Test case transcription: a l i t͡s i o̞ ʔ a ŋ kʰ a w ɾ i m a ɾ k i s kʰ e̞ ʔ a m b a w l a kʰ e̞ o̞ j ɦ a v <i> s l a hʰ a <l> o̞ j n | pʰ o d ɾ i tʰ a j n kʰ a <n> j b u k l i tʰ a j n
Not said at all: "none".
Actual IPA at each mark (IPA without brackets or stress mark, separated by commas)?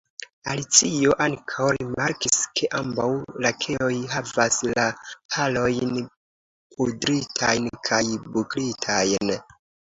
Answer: a, l, none